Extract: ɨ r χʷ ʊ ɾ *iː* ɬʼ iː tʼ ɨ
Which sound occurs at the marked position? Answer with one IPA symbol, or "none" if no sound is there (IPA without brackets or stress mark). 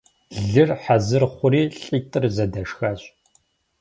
iː